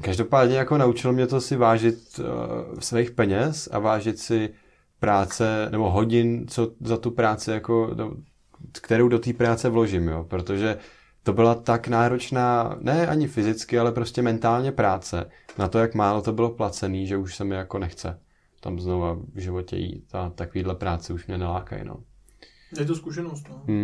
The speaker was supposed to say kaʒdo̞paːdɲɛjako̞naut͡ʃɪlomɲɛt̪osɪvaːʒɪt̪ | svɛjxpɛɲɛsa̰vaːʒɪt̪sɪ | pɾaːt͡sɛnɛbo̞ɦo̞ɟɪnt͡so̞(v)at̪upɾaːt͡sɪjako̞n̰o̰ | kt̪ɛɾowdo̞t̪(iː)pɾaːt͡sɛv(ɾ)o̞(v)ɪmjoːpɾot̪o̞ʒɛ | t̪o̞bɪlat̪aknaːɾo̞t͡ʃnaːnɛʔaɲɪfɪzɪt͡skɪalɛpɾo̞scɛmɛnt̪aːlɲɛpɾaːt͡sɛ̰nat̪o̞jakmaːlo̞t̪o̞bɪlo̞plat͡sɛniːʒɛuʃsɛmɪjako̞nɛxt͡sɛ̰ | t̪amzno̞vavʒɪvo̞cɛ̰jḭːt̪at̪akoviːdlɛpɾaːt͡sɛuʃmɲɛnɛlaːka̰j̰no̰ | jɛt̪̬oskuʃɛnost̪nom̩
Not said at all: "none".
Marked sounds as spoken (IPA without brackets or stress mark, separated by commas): z, iː, l, ʒ